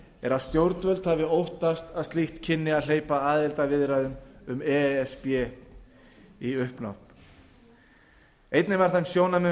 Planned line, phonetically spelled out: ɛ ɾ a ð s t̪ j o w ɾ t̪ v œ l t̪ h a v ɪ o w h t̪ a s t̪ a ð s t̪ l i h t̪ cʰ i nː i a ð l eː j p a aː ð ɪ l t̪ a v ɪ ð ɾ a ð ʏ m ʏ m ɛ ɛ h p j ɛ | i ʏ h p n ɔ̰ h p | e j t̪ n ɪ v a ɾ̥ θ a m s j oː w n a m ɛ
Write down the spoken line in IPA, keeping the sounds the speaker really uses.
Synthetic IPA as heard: ɛ ɾ a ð s t̪ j o w ɾ t̪ v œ l t̪ h a v ɪ o w h t̪ a s t̪ a ð s t̪ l i h t̪ cʰ ɪ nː ɪ a ð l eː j p a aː ð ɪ l t̪ a v ɪ ð ɾ a ð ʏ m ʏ m ɛ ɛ s p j ɛ | i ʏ h p n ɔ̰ h p | e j t̪ n ɪ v a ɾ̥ θ a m s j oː w n a m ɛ